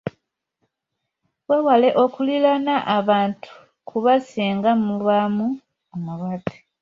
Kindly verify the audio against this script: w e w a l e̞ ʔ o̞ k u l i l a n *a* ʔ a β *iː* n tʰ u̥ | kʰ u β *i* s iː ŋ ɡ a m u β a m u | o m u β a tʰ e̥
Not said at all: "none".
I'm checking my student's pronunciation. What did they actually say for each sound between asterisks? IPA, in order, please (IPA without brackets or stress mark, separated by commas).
a, aː, a